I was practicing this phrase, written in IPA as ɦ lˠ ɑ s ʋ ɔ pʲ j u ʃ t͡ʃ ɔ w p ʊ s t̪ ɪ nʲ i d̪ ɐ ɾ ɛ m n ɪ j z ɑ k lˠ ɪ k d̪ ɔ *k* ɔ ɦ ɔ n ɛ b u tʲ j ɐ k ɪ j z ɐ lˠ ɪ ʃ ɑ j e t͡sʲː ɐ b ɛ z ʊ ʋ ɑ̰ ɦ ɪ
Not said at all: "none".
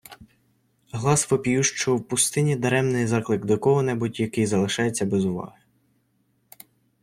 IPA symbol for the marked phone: k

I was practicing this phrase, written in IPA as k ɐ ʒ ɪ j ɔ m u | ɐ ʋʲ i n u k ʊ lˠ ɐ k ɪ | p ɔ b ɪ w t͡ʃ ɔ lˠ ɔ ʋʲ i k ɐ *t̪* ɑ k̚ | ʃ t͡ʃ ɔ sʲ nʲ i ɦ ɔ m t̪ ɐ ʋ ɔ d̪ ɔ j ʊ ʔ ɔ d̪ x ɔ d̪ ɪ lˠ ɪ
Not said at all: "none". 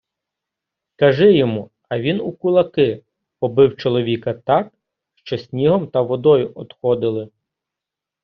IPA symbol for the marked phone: t̪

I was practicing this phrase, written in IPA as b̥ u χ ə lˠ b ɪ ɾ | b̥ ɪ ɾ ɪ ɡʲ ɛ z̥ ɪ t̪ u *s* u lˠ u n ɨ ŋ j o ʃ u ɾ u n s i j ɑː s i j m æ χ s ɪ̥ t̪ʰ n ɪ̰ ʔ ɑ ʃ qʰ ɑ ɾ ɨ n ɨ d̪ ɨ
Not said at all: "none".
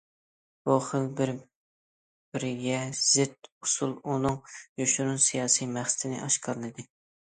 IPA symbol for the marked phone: s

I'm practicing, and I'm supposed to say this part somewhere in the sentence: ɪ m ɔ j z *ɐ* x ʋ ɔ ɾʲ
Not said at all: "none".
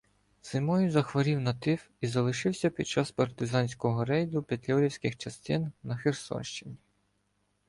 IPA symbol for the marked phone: ɐ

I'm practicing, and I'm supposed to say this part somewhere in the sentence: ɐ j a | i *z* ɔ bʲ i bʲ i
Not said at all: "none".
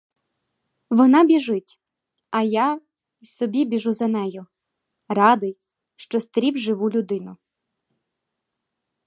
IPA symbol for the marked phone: s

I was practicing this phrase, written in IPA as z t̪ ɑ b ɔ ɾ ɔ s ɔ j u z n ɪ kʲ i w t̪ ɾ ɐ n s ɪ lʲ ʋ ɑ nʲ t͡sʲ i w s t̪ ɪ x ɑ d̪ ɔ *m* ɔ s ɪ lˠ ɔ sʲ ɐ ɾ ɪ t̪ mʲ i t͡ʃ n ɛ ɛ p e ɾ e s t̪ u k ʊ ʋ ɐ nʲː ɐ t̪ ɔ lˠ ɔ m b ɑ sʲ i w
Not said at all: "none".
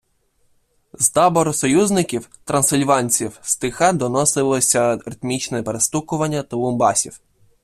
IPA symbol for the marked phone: n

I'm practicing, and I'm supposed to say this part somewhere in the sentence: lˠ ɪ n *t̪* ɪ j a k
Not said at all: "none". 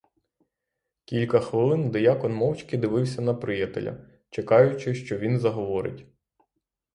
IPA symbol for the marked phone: d̪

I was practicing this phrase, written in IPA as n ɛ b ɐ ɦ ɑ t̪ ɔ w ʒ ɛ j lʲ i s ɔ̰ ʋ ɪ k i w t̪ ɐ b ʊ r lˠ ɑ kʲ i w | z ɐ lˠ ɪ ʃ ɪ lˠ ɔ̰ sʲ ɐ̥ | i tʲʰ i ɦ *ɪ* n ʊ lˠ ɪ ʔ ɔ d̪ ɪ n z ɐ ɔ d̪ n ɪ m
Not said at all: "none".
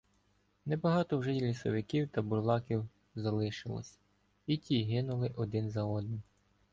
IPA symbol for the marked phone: ɪ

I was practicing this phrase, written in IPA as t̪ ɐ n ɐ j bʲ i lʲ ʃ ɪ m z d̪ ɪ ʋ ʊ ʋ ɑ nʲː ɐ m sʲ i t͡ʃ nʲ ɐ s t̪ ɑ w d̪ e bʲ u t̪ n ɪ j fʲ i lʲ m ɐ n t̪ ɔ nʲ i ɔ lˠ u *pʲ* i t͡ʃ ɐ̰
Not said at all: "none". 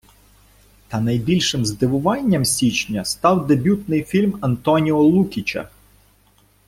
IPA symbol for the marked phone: kʲ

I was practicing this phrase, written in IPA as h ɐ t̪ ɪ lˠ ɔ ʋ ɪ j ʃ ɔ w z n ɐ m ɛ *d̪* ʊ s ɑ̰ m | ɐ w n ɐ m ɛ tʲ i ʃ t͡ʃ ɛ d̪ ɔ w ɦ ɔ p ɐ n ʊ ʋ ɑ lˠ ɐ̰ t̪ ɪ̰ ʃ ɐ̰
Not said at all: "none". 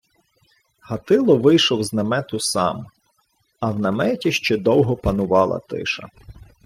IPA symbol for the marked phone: t̪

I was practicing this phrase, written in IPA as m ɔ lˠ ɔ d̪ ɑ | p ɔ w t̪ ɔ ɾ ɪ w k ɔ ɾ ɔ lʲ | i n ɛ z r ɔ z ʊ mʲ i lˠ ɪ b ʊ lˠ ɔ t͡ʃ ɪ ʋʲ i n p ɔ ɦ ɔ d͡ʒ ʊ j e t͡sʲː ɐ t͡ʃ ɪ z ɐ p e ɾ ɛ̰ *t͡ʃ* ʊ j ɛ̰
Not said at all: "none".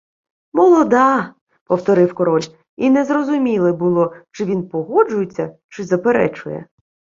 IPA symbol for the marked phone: t͡ʃ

